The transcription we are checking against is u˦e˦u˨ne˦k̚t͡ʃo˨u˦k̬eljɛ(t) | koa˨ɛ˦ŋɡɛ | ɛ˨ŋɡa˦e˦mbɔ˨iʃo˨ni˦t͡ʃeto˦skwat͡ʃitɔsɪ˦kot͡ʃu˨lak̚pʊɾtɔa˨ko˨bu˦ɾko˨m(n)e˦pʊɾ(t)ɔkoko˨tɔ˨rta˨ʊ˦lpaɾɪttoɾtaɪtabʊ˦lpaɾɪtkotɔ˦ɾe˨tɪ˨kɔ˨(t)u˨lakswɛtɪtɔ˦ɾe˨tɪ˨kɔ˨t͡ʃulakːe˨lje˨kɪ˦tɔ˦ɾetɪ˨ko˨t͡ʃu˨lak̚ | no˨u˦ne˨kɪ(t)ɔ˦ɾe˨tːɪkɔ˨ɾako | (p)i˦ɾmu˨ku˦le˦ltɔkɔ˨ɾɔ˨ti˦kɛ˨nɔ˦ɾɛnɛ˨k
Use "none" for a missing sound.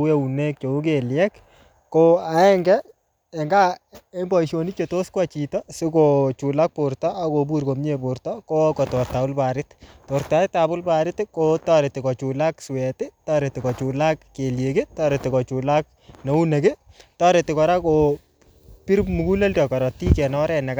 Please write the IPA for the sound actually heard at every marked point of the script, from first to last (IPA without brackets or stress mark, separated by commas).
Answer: k, ɲ, t, t͡ʃ, t, p